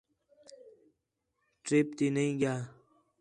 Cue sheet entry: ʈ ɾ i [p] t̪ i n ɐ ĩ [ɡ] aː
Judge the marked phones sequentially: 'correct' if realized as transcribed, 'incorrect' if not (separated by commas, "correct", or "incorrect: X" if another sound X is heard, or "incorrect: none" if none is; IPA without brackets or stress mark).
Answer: correct, correct